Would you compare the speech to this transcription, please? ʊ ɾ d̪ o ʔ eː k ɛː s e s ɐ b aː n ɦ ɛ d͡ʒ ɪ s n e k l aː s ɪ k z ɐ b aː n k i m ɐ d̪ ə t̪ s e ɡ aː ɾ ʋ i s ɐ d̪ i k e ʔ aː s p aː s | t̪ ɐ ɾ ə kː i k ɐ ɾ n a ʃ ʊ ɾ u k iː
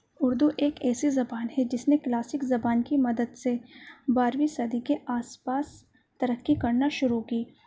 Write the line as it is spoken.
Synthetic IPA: ʊ ɾ d̪ u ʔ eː k ɛː s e z ɐ b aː n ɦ ɛ d͡ʒ ɪ s n e k l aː s ɪ k z ɐ b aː n k i m ɐ d̪ ə d̪ s e b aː ɾ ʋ i s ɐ d̪ i k e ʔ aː s p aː s | t̪ ɐ ɾ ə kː i k ɐ ɾ n a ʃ ʊ ɾ u k iː